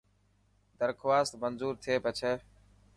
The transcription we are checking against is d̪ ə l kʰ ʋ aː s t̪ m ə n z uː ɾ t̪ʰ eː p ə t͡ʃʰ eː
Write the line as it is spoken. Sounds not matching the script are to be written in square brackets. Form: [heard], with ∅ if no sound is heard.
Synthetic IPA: d̪ ə [ɾ] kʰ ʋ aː s t̪ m ə n z uː ɾ t̪ʰ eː p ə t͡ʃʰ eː